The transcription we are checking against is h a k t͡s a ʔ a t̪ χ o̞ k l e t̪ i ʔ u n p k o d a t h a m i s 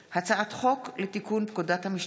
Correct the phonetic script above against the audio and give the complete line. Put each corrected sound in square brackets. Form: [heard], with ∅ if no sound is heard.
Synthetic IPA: h a [∅] t͡s a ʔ a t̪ χ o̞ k l e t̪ i [k] u n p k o d a t h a m i [ʃ]